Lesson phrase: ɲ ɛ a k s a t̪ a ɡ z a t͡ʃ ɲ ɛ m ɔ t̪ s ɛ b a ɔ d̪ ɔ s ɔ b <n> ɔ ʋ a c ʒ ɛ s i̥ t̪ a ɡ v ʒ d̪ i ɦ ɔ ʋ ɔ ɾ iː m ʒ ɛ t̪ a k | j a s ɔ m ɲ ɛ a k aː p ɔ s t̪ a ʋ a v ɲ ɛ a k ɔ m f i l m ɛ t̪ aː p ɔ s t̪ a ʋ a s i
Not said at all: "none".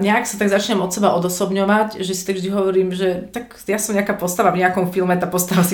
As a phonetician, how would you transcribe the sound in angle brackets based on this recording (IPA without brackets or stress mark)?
ɲ